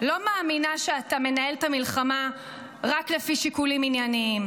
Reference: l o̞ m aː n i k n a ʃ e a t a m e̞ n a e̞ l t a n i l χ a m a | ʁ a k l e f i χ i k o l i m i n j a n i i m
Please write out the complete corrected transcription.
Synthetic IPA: l o̞ m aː m i n a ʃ e a t a m e̞ n a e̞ l t a m i l χ a m a | ʁ a k l e f i ʃ i k u l i m i n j a n i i m